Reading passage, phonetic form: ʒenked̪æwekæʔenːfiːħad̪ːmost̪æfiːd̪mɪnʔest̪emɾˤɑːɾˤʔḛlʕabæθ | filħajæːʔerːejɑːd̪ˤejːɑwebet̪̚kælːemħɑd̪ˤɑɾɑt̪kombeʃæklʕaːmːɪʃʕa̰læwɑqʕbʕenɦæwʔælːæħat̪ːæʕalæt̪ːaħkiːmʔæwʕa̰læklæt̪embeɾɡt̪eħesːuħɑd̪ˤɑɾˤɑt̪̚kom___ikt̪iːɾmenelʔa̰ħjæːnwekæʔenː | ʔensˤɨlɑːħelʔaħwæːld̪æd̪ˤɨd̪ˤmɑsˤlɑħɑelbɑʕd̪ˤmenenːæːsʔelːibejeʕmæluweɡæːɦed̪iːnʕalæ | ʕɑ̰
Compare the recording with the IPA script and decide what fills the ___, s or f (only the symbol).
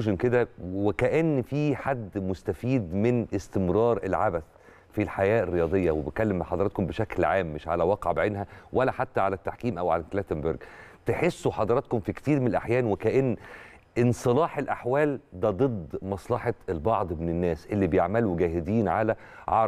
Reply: f